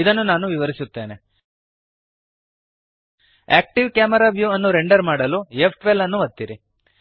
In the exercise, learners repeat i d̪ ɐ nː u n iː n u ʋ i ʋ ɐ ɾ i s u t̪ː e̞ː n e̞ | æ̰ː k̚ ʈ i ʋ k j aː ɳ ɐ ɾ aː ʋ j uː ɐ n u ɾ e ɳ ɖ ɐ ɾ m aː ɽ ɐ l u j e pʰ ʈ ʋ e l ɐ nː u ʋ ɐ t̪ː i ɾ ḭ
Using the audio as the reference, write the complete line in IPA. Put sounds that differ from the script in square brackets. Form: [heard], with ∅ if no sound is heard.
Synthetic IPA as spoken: i d̪ ɐ nː u n [aː] n u ʋ i ʋ ɐ ɾ i s u t̪ː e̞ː n e̞ | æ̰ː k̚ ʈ i ʋ k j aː [m] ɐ ɾ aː ʋ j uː ɐ [nː] u ɾ e ɳ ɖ ɐ ɾ m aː ɽ ɐ l u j e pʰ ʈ ʋ e l ɐ nː u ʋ ɐ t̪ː i ɾ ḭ